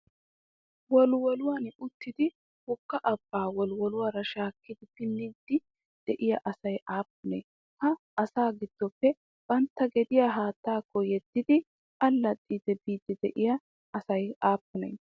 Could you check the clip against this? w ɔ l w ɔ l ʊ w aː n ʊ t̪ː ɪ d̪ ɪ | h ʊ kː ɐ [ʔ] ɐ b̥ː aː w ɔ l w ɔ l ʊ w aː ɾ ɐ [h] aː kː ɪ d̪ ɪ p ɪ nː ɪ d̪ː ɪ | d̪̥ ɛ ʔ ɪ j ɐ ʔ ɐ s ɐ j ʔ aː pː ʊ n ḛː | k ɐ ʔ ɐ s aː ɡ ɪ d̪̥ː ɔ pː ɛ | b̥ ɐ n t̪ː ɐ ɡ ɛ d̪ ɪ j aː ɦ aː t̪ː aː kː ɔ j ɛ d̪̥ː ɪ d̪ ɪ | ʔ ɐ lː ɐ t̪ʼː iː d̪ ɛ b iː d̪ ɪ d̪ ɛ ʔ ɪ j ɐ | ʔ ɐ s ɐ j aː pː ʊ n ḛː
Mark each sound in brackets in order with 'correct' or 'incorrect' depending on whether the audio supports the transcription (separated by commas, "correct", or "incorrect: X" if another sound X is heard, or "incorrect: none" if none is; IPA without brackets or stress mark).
correct, incorrect: ʃ